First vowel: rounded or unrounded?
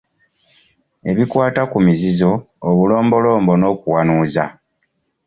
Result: unrounded